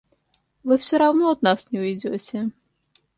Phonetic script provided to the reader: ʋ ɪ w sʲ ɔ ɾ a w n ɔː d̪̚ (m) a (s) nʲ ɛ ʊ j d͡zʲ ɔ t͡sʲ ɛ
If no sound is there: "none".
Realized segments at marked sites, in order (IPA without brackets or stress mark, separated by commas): n, s